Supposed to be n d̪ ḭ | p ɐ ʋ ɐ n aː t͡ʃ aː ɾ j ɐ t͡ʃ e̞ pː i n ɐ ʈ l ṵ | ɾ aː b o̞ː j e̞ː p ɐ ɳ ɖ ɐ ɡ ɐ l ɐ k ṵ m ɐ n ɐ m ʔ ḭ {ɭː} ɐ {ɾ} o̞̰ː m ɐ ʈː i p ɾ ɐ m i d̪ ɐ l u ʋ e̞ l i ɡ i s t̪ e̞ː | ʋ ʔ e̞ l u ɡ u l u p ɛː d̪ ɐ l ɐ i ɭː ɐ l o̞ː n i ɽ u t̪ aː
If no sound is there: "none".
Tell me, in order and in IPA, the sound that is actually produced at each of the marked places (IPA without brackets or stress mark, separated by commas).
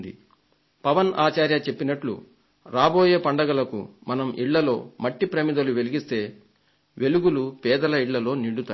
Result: ɭː, l